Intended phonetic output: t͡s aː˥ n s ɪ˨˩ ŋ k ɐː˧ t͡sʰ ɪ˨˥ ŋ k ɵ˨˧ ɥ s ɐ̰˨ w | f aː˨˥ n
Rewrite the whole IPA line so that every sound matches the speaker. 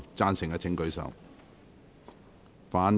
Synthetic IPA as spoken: t͡s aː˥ n s ɪ˨˩ ŋ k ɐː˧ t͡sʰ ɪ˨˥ ŋ k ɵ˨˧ ɥ s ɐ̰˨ w | f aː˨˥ n